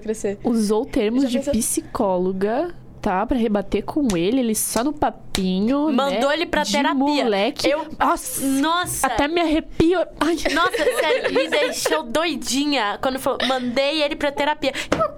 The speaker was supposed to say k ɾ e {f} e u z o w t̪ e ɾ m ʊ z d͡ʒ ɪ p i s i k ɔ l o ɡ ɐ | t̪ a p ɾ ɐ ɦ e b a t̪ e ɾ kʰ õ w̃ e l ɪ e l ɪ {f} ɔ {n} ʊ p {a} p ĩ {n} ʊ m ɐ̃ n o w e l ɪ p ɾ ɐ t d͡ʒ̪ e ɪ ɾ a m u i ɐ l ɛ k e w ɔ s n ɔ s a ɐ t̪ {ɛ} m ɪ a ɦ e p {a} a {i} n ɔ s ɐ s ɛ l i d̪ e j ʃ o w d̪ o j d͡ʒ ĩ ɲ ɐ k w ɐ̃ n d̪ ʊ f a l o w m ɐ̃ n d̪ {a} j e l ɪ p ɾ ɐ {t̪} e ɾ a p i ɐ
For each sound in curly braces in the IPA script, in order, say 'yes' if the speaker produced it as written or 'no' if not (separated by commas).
no, no, yes, yes, no, yes, no, no, no, yes